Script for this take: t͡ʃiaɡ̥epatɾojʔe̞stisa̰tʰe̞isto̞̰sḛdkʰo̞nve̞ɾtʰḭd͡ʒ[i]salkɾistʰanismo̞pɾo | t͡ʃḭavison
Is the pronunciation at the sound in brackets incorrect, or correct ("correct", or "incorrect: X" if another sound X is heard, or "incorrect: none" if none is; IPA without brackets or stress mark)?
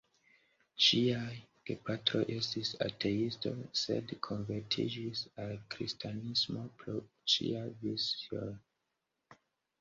correct